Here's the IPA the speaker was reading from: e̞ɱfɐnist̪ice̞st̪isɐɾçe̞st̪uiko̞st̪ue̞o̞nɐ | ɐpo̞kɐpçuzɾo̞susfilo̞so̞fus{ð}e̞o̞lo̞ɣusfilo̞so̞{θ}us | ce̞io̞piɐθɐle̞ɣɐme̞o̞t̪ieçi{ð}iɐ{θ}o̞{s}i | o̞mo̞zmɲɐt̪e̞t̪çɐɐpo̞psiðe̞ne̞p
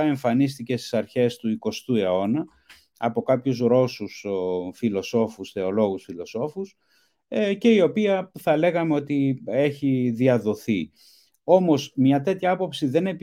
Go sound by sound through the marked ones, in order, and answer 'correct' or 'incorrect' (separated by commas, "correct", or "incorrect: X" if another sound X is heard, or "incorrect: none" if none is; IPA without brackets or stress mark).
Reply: incorrect: θ, incorrect: f, correct, incorrect: ð, incorrect: θ